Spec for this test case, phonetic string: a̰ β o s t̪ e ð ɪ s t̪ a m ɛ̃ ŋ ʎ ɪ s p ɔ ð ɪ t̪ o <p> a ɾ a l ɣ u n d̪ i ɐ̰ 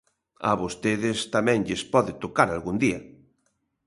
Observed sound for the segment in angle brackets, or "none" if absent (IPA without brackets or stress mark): k